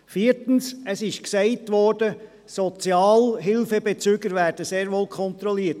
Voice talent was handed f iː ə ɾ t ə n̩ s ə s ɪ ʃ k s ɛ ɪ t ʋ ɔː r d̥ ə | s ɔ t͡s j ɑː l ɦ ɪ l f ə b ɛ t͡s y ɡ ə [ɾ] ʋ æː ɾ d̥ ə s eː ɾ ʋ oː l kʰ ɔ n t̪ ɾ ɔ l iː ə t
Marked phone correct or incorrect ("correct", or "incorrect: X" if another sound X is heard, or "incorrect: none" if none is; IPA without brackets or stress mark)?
correct